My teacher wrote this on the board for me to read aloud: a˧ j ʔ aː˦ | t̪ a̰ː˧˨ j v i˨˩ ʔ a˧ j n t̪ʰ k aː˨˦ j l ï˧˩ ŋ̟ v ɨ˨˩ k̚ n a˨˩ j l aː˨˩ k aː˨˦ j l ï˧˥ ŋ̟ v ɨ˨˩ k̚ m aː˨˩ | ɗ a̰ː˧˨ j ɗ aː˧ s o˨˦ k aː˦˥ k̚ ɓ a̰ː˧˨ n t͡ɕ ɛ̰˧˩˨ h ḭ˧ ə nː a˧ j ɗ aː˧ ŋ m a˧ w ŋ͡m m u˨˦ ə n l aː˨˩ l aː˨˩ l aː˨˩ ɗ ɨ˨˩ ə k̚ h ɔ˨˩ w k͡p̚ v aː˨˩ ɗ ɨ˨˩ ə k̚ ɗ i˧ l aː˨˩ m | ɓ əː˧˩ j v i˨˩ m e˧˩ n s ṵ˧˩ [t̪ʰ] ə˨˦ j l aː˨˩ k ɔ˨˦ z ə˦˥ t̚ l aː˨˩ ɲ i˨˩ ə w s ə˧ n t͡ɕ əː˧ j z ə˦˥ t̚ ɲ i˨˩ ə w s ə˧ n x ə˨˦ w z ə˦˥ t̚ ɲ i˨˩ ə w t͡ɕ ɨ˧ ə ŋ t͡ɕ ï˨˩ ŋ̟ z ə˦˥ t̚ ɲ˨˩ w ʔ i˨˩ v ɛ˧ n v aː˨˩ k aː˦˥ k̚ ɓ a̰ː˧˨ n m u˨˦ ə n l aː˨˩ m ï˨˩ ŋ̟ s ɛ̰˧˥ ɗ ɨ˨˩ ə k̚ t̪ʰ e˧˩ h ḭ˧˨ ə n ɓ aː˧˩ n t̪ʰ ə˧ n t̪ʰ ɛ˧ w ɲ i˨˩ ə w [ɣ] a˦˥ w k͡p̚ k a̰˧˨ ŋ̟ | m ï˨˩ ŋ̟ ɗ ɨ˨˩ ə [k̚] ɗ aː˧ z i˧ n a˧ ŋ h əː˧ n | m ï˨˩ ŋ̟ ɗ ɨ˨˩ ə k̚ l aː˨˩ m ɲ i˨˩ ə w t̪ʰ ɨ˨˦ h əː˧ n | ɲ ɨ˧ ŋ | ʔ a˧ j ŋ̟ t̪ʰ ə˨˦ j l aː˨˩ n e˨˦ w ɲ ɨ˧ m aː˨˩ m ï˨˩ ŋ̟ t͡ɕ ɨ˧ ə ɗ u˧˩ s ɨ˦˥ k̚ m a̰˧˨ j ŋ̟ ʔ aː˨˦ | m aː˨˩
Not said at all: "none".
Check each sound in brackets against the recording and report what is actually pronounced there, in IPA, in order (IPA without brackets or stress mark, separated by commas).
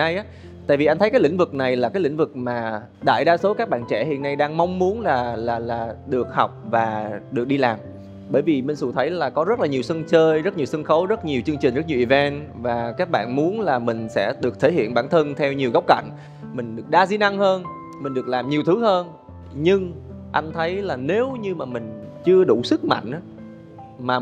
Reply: t̪ʰ, ɣ, k̚